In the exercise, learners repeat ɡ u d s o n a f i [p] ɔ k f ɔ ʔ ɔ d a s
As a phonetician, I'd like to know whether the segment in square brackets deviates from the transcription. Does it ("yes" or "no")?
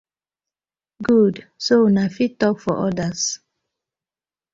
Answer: yes